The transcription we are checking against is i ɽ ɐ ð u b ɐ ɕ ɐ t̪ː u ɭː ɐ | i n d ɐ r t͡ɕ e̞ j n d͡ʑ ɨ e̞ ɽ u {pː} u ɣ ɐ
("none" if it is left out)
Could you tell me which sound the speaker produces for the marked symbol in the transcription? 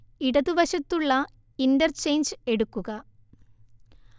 kː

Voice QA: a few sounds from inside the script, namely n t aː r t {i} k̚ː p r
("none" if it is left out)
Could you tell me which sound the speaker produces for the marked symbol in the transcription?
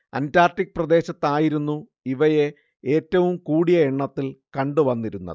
i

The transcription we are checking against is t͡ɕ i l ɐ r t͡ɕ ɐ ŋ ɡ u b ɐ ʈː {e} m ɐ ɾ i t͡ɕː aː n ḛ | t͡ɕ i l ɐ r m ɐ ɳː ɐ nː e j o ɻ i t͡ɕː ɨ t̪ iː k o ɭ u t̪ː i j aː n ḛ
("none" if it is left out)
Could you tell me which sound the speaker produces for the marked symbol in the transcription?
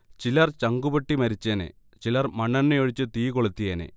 i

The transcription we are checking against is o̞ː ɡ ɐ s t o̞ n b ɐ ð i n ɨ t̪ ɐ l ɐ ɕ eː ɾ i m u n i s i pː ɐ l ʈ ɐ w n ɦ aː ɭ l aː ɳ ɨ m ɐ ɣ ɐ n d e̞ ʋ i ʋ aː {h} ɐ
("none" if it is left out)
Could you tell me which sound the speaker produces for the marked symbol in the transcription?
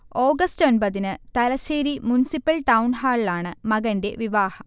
h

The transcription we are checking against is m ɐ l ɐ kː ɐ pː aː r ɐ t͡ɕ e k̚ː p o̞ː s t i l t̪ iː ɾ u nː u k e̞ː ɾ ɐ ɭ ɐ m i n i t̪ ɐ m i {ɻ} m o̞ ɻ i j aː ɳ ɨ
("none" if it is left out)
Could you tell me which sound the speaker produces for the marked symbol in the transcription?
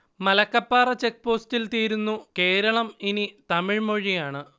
ɻ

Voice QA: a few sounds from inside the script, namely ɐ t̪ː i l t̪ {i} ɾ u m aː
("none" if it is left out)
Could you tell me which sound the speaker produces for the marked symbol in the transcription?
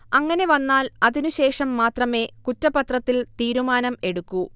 iː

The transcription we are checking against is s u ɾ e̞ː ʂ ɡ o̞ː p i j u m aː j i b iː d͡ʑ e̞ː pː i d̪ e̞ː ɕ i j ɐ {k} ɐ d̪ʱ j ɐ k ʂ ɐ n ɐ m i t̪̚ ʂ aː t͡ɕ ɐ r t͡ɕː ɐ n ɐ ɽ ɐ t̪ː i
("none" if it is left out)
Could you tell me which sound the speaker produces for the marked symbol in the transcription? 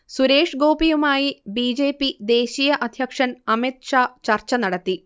ʔ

